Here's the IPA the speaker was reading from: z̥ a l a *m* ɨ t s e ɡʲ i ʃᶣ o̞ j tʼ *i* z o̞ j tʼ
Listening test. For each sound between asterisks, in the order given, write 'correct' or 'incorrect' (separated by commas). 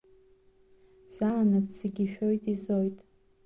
incorrect, correct